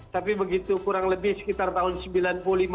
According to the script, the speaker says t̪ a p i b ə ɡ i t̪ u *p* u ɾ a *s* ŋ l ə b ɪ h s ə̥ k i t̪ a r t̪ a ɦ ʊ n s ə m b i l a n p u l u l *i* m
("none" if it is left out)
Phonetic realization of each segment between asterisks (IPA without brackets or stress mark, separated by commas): k, none, i